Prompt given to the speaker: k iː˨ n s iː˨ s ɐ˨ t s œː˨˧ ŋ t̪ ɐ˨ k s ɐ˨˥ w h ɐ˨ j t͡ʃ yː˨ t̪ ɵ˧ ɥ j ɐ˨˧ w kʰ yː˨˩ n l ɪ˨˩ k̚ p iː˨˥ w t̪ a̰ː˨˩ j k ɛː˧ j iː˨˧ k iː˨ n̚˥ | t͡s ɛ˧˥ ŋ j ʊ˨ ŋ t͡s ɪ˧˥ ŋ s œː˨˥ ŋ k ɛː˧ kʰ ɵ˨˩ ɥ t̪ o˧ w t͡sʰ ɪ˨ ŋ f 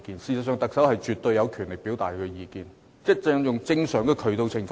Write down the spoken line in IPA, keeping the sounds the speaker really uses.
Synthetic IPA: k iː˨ n s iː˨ s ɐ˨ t s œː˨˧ ŋ t̪ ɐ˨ k s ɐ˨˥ w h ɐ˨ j t͡ʃ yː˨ t̪ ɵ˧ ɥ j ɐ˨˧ w kʰ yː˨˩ n l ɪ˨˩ k̚ p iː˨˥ w t̪ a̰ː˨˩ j k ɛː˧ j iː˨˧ k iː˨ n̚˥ | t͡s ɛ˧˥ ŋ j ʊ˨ ŋ t͡s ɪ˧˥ ŋ s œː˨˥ ŋ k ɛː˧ kʰ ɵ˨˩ ɥ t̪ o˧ w t͡sʰ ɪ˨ ŋ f